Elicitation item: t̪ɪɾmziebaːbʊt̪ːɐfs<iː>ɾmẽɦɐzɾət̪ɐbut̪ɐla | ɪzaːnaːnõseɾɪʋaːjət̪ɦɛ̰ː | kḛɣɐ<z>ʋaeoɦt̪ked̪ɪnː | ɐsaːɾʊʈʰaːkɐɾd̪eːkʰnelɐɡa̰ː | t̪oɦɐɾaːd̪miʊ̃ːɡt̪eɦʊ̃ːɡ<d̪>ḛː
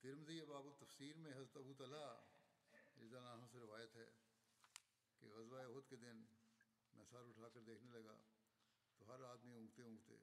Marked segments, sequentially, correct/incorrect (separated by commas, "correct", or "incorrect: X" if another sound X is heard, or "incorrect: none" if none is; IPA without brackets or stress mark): correct, correct, incorrect: t̪